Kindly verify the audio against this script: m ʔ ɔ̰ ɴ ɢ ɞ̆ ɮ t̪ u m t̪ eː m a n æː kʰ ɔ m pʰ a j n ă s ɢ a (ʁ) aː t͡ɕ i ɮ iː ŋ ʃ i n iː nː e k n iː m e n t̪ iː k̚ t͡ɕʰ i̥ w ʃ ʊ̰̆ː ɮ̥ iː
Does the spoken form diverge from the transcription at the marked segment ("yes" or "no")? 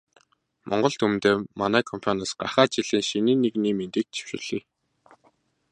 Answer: yes